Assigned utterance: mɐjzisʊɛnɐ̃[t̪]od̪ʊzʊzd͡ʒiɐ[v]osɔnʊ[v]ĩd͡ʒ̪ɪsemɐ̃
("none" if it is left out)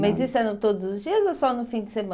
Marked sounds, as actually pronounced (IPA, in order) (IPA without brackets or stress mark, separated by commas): t̪, z, f